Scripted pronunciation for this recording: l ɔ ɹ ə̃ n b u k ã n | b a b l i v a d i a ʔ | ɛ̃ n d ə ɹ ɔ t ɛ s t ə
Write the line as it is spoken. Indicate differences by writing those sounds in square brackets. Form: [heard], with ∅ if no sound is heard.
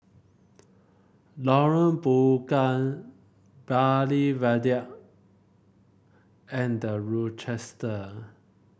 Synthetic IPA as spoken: l ɔ ɹ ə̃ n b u k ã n | b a [∅] l i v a d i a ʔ | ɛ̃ n d ə ɹ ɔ [t͡ʃ] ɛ s t ə